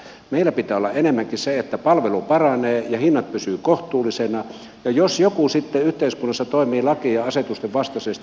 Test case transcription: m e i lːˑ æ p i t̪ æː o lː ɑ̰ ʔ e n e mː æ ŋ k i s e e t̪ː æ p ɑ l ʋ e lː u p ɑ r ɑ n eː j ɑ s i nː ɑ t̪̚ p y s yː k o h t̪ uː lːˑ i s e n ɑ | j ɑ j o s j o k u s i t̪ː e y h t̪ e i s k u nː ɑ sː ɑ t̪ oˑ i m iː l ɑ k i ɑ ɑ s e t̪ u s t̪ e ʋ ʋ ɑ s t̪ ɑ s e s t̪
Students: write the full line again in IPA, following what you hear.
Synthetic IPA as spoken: m e i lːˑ æ p i t̪ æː o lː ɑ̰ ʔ e n e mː æ ŋ k i s e e t̪ː æ p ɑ l ʋ e l u p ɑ r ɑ n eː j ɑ h i nː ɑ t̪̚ p y s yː k o h t̪ uː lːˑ i s e n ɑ | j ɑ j o s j o k u s i t̪ː e y h t̪ e i s k u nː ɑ sː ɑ t̪ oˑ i m iː l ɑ k i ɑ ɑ s e t̪ u s t̪ e ʋ ʋ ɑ s t̪ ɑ s e s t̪

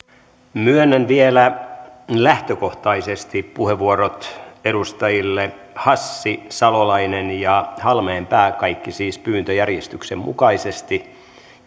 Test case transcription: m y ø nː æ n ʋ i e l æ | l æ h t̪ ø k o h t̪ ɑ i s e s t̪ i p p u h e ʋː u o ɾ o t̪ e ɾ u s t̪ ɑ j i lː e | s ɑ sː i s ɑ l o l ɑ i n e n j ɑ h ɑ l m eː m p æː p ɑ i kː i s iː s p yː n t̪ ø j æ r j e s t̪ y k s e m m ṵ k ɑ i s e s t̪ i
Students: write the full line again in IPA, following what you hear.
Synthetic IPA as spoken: m y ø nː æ n ʋ i e l æ | l æ h t̪ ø k o h t̪ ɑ i s e s t̪ i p p u h e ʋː u o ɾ o t̪ e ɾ u s t̪ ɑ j i lː e | h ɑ sː i s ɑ l o l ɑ i n e n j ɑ h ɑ l m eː m p æː k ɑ i kː i s iː s p yː n t̪ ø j æ r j e s t̪ y k s e m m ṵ k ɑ i s e s t̪ i

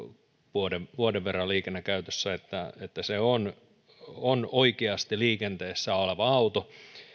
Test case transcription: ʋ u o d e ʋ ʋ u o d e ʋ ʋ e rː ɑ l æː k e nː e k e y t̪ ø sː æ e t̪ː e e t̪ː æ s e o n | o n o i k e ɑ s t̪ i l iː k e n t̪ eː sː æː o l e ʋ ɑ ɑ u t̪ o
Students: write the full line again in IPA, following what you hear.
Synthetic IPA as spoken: ʋ u o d e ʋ ʋ u o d e ʋ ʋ e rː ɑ l iː k e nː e k æ y t̪ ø sː æ e t̪ː æ e t̪ː æ s e o n | o n o i k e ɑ s t̪ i l iː k e n t̪ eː sː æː o l e ʋ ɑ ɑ u t̪ o

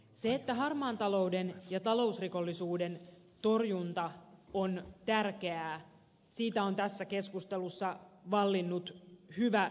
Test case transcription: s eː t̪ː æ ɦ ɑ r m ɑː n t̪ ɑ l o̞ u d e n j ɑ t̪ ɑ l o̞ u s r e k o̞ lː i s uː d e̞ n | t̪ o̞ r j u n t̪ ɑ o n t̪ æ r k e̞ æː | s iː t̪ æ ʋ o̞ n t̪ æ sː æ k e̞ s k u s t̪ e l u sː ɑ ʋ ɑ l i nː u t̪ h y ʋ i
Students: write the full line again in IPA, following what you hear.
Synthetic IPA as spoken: s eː t̪ː æ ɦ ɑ r m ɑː n t̪ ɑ l o̞ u d e n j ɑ t̪ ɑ l o̞ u s r i k o̞ lː i s uː d e̞ n | t̪ o̞ r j u n t̪ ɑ o n t̪ æ r k e̞ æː | s iː t̪ æ o̞ n t̪ æ sː æ k e̞ s k u s t̪ e l u sː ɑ ʋ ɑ lː i nː u t̪ h y ʋ æ

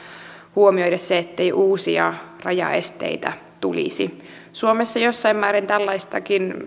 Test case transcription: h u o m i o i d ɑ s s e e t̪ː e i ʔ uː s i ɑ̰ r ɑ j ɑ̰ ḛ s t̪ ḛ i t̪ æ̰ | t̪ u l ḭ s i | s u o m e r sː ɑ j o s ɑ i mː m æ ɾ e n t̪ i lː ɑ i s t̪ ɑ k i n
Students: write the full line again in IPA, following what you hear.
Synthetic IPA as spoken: h u o m i o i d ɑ s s e e t̪ː e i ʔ uː s i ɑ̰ r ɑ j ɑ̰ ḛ s t̪ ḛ i t̪ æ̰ | t̪ u l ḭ s i | s u o m e sː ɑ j o sː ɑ i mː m æː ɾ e n t̪ æ lː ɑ i s t̪ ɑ k i n

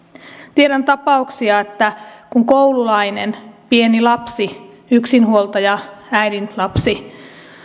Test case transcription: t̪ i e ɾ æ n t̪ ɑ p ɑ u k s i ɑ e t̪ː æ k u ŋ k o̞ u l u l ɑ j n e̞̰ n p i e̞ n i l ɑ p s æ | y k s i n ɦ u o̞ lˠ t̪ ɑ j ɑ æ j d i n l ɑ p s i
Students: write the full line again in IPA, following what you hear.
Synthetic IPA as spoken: t̪ i e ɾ æ n t̪ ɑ p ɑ u k s i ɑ e t̪ː æ k u ŋ k o̞ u l u l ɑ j n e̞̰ n p i e̞ n i l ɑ p s i | y k s i n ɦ u o̞ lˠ t̪ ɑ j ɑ æ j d i n l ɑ p s i

